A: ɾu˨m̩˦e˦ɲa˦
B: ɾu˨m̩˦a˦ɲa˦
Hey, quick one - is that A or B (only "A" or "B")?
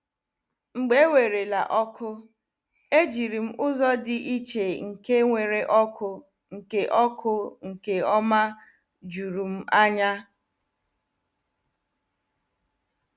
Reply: B